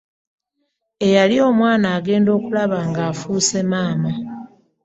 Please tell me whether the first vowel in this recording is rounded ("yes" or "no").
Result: no